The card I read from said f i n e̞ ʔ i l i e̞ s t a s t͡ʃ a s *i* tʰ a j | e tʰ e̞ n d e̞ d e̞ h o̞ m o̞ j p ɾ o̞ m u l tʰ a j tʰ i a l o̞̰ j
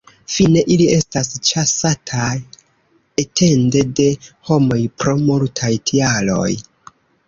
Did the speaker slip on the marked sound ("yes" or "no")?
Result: yes